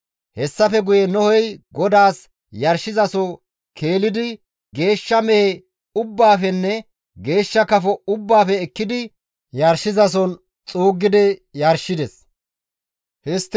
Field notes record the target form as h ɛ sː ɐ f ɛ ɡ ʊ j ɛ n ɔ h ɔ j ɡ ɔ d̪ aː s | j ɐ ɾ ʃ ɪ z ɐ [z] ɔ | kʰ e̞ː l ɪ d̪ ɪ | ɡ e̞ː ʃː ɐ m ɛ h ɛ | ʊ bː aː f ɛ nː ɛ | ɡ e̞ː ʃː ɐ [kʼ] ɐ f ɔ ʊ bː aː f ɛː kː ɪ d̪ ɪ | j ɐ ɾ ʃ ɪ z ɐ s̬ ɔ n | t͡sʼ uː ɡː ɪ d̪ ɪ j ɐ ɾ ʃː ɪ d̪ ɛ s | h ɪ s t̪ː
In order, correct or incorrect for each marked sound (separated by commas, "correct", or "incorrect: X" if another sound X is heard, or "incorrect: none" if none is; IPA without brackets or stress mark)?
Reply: incorrect: s, incorrect: k